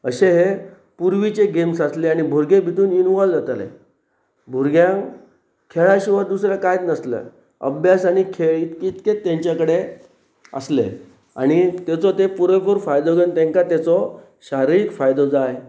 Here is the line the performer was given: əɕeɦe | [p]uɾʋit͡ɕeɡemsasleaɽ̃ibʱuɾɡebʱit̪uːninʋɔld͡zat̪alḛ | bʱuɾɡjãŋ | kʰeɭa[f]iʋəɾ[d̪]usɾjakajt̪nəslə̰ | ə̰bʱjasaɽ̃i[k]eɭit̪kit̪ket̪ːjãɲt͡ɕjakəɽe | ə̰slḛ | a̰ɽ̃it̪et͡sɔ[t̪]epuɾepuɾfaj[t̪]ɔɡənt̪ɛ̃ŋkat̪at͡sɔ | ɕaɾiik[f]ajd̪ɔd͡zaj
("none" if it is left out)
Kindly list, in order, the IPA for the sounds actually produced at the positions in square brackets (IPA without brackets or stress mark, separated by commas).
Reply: p, ɕ, d̪, kʰ, t̪, d̪, f